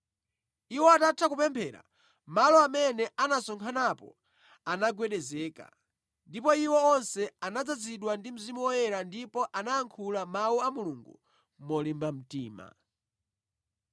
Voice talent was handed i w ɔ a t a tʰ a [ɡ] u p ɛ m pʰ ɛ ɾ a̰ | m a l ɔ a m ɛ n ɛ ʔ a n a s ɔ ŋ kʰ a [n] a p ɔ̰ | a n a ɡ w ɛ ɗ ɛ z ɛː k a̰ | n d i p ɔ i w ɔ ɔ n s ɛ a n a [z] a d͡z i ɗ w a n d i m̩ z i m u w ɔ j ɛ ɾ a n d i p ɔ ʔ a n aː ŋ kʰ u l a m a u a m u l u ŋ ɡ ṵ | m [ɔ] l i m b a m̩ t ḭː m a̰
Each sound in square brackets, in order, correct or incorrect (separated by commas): incorrect, correct, incorrect, correct